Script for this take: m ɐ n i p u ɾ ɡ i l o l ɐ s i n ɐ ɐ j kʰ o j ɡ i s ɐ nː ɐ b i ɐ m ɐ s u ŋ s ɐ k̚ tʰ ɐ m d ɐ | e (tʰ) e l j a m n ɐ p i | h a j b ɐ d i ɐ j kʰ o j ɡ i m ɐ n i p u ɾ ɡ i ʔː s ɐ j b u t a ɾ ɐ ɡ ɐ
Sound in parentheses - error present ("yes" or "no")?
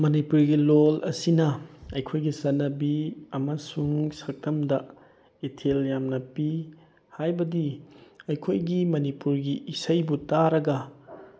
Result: no